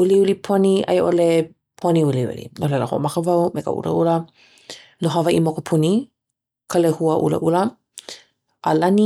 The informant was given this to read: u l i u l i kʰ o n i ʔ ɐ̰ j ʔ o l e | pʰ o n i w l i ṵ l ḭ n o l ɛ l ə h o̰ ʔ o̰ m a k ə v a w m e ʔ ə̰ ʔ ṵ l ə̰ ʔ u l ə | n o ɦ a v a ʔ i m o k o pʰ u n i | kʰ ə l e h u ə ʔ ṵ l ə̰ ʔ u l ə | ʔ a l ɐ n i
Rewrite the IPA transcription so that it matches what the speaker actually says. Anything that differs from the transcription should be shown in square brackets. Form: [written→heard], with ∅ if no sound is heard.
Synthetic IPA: u l i u l i [kʰ→pʰ] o n i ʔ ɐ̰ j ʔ o l e | pʰ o n i [w→u] l i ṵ l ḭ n o l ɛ l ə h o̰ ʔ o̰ m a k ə v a w m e [ʔ→k] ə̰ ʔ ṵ l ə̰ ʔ u l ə | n o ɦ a v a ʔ i m o k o pʰ u n i | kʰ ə l e h u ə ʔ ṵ l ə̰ ʔ u l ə | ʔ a l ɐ n i